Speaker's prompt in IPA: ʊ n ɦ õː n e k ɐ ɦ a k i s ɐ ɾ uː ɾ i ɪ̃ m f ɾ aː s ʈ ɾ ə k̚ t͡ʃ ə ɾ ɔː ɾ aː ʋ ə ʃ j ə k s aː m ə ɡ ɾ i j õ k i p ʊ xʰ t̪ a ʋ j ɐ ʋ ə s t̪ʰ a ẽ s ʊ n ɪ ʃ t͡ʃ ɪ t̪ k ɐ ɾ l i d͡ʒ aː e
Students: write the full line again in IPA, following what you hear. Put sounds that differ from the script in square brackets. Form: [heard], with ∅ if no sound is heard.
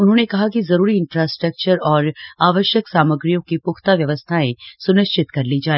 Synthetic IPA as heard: ʊ n ɦ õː n e k ɐ ɦ a k i [z] ɐ ɾ uː ɾ i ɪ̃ [n] f ɾ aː s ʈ ɾ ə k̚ t͡ʃ ə ɾ ɔː ɾ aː ʋ ə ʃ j ə k s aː m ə ɡ ɾ i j õ k i p ʊ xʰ t̪ a ʋ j ɐ ʋ ə s t̪ʰ a ẽ s ʊ n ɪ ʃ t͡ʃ ɪ t̪ k ɐ ɾ l i d͡ʒ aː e